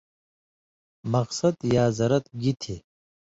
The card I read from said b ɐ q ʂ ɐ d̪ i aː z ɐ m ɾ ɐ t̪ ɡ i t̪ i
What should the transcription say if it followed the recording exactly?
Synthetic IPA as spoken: m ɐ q s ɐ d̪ j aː z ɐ ɾ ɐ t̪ ɡ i t̪ʰ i